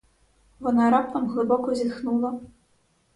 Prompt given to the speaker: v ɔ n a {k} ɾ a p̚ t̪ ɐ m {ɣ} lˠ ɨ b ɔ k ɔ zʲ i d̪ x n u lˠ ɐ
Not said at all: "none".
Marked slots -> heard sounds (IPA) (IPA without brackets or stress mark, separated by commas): none, ɣ